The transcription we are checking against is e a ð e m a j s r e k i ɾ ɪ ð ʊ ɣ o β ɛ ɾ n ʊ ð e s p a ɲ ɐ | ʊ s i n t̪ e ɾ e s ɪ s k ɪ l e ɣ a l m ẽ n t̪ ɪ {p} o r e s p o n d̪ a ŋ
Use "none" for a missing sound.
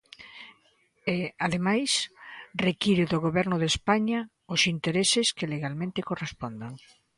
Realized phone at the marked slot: k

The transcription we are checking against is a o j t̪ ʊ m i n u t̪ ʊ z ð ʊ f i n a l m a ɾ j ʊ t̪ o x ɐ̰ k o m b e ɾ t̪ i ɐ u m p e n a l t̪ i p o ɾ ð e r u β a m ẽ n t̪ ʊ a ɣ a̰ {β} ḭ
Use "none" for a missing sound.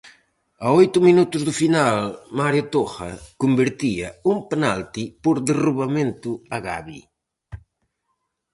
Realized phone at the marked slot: β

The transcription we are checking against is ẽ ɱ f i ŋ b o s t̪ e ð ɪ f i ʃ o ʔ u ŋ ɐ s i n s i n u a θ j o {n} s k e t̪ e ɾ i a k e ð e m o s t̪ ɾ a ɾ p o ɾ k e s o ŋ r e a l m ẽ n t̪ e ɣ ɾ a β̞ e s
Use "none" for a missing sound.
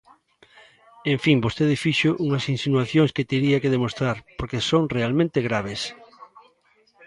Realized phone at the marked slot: ŋ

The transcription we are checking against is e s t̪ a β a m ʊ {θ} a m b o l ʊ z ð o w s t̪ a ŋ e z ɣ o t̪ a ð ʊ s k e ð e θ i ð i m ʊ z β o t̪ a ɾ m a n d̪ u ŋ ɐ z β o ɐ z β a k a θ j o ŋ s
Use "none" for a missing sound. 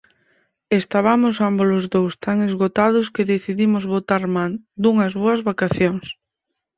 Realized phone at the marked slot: s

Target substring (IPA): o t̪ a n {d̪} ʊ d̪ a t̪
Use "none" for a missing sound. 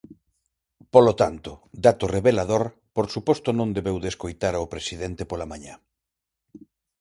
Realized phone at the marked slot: t̪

